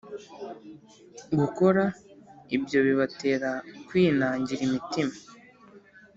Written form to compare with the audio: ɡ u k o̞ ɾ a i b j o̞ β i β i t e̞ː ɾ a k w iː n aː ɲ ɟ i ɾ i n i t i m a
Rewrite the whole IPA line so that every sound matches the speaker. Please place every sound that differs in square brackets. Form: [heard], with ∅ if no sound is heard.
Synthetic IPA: ɡ u k o̞ ɾ a i b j o̞ β i β [a] t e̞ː ɾ a k w iː n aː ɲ ɟ i ɾ i [m] i t i m a